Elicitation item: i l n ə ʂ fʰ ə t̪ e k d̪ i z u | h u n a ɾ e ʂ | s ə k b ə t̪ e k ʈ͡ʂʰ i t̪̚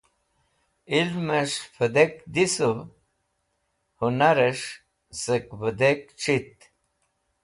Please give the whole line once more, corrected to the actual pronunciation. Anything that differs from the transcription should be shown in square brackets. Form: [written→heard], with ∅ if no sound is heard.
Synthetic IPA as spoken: i l [n→m] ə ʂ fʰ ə [t̪→d̪] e k d̪ i [z→s] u | h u n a ɾ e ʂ | s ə k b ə [t̪→d̪] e k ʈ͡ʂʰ i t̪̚